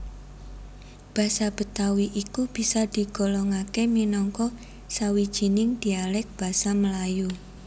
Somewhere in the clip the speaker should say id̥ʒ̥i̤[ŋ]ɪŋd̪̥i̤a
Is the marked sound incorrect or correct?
incorrect